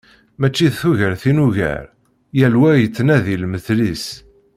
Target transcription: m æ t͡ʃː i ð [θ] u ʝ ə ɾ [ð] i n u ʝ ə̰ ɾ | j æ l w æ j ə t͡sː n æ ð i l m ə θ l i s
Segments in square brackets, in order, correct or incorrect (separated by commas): correct, incorrect